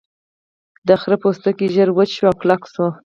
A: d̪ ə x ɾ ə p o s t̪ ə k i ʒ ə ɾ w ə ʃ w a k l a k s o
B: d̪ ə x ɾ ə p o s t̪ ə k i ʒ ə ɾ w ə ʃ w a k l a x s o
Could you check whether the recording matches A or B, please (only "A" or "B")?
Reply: A